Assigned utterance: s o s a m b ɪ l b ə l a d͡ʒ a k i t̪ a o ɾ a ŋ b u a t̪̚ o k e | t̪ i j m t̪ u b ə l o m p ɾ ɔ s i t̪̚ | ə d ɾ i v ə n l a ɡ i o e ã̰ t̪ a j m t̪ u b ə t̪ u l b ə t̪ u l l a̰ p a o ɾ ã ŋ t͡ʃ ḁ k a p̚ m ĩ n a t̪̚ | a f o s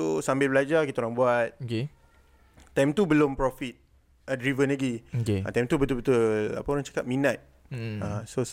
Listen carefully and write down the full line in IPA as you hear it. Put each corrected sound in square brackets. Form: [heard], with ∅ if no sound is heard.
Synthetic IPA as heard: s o s a m b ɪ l b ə l a d͡ʒ a k i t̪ a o ɾ a ŋ b u a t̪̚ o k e | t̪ [a] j m t̪ u b ə l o m p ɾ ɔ [f] i t̪̚ | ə d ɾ i v ə n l a ɡ i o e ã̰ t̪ a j m t̪ u b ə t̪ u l b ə t̪ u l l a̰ p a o ɾ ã ŋ t͡ʃ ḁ k a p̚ m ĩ n a t̪̚ | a [s] o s